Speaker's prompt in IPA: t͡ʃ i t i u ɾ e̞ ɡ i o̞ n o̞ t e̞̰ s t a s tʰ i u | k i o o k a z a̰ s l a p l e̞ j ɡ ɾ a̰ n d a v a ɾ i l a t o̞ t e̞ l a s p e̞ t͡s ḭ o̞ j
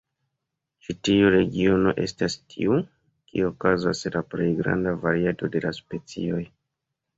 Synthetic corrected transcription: t͡ʃ i t i u ɾ e̞ ɡ i o̞ n o̞ ʔ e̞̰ s t a s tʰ i u | k i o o k a z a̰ s l a p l e̞ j ɡ ɾ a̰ n d a v a ɾ i a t o̞ d e̞ l a s p e̞ t͡s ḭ o̞ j